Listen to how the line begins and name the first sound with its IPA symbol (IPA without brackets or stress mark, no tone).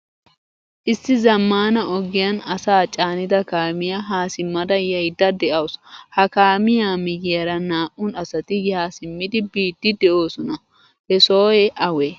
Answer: ʔ